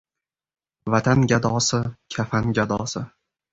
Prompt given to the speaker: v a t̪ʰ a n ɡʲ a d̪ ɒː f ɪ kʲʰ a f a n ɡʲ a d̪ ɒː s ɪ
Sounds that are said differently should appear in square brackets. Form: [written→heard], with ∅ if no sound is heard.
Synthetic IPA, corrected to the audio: v a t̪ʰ a n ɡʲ a d̪ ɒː [f→s] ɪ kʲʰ a f a n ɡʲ a d̪ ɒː s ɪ